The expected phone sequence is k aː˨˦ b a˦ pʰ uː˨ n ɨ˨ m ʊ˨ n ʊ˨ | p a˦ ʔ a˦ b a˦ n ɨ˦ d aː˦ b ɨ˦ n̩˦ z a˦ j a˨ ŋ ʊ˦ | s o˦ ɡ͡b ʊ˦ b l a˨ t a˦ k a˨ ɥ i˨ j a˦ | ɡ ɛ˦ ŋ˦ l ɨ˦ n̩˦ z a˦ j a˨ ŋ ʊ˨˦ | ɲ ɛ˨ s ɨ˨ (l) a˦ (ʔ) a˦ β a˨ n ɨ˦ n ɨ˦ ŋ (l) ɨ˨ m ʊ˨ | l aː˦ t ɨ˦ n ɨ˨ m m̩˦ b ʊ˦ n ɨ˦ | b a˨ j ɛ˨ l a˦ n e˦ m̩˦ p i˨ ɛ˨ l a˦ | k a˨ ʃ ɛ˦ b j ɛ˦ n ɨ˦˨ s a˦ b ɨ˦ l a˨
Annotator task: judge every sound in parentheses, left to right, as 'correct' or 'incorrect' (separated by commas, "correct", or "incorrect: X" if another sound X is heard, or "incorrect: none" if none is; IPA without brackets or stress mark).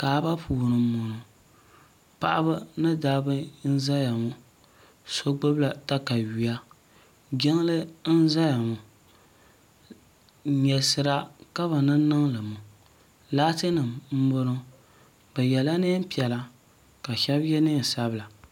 incorrect: ɾ, incorrect: k, correct